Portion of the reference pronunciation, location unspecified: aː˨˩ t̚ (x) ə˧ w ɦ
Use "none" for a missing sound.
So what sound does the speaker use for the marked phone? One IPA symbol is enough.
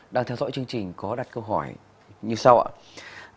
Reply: k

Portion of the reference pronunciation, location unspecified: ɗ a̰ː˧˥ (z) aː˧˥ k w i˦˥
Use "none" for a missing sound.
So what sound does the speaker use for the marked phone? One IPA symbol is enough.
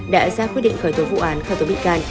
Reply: z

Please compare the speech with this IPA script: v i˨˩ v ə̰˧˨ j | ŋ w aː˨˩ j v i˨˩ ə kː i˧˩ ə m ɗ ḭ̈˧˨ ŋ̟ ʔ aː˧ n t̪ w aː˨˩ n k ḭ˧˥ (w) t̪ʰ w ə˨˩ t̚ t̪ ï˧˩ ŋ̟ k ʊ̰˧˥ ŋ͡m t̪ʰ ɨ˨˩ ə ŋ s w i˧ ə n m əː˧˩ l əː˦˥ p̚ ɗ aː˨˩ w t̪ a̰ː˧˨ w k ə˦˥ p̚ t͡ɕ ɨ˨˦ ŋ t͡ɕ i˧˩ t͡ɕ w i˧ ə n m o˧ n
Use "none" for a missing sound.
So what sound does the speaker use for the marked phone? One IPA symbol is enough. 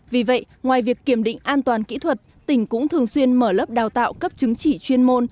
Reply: none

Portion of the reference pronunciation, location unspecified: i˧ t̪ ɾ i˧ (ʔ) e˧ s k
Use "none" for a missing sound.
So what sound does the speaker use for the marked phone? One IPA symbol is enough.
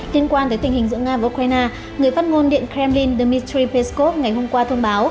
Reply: p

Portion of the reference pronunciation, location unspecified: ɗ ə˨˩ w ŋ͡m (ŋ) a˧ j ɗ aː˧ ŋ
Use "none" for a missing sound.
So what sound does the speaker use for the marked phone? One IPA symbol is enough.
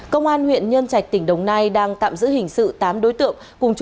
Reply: n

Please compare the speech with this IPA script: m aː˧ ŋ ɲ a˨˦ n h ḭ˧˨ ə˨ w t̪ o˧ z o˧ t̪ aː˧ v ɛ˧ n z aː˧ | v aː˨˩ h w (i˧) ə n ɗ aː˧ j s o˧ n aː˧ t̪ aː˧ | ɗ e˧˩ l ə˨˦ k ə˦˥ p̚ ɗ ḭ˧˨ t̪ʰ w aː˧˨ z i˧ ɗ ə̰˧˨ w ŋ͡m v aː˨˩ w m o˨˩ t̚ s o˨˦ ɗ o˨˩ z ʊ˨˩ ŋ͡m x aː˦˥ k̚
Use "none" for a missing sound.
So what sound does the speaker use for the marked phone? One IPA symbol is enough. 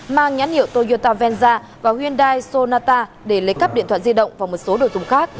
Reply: i˧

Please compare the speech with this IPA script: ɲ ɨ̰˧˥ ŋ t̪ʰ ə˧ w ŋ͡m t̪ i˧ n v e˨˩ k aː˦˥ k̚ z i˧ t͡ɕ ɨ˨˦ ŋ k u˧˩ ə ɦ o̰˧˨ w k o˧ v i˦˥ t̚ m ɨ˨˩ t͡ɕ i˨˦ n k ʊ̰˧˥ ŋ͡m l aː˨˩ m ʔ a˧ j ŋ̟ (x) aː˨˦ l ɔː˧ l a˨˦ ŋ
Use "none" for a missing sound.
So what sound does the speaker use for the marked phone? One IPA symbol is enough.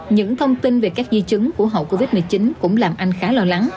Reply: x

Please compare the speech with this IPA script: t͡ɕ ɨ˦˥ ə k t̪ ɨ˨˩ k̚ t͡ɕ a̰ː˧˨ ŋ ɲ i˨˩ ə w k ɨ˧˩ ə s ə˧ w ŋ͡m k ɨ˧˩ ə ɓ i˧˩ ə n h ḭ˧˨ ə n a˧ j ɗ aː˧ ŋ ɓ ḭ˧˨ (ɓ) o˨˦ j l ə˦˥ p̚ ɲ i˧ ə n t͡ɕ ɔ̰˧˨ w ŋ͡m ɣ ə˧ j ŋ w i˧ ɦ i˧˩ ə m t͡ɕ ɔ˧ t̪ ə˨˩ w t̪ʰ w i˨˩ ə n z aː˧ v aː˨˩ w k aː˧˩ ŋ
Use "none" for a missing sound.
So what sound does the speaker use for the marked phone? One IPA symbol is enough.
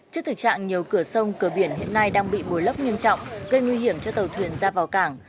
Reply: ɓ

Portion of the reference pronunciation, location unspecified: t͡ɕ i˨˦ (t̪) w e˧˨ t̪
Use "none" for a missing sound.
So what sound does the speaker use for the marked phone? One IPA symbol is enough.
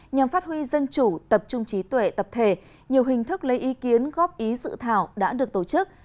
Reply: t̪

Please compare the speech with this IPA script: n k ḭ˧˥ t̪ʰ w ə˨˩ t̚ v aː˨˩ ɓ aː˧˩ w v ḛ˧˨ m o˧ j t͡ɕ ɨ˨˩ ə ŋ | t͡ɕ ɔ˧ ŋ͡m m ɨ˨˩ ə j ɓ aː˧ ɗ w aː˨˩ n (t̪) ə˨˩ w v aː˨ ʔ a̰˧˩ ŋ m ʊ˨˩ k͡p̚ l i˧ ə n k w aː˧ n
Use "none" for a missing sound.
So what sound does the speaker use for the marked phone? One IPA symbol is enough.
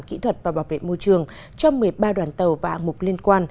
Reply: t̪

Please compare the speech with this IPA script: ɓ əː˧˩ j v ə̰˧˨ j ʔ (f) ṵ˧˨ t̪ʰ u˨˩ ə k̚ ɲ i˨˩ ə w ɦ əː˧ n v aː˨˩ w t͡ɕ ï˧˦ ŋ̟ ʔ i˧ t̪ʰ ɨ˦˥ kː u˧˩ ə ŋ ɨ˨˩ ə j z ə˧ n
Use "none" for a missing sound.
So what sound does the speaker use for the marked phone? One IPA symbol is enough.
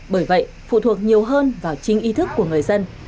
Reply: f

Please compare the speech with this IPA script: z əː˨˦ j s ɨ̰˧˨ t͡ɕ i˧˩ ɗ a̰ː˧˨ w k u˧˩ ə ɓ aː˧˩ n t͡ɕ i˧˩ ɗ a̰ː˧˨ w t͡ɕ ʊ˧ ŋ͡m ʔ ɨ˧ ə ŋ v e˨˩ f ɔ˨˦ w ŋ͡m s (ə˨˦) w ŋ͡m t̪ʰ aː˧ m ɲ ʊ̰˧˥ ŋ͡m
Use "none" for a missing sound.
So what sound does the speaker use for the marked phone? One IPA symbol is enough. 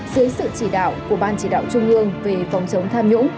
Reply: ə˨˦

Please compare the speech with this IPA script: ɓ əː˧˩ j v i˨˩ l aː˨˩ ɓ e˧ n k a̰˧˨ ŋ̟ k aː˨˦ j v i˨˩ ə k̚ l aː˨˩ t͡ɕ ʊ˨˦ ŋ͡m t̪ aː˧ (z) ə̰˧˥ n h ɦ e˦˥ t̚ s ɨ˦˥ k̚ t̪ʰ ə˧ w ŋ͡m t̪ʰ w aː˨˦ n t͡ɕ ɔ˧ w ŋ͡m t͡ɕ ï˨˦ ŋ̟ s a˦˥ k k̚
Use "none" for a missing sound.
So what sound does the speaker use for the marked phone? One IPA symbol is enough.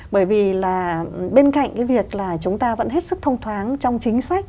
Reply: v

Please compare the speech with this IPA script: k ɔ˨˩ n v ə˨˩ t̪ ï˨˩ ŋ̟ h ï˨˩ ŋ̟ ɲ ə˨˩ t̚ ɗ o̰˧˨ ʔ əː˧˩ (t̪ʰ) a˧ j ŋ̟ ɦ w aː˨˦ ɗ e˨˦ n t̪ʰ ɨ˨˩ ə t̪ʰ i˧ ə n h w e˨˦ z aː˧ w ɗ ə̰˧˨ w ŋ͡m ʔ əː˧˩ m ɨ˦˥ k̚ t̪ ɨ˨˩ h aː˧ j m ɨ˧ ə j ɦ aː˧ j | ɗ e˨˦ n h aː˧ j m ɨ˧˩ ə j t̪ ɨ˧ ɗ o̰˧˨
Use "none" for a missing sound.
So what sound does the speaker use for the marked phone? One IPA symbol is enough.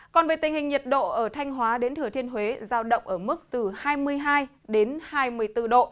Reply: t̪ʰ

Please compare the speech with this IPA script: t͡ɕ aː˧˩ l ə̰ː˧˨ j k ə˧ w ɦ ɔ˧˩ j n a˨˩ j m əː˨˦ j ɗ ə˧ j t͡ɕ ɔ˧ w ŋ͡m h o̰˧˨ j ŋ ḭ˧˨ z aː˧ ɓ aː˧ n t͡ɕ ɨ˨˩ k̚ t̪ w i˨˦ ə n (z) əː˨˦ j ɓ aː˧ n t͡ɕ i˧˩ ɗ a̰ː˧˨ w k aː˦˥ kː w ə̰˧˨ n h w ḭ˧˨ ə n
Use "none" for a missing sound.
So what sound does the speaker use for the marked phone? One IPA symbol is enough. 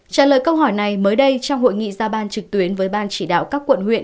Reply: v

